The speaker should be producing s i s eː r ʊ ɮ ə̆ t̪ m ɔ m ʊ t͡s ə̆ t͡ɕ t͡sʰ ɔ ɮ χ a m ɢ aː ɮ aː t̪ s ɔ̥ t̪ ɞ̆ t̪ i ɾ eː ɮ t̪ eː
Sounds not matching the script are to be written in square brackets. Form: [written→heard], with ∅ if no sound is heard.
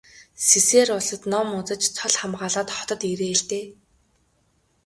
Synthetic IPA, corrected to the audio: s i s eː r ʊ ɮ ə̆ t̪ [m→n] ɔ m ʊ t͡s ə̆ t͡ɕ t͡sʰ ɔ ɮ χ a m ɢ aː ɮ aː t̪ [s→χ] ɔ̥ t̪ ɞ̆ t̪ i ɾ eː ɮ t̪ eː